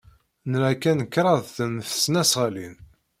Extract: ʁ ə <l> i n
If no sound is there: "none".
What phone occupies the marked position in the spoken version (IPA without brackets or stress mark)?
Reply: l